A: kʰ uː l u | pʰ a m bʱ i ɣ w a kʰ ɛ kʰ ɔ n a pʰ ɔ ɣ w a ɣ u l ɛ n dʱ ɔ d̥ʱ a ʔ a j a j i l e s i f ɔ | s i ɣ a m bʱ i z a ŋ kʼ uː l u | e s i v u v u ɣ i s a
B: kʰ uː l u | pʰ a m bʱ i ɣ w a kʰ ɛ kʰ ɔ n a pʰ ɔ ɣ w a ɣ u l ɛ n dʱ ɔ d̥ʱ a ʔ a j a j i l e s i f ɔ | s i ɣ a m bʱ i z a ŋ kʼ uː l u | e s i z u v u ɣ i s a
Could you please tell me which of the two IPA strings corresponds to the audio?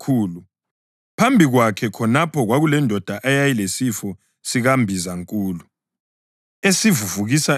A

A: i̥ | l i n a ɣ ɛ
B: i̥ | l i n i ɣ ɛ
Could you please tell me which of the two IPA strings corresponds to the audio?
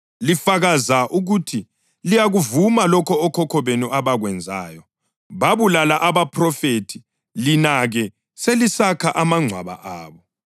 A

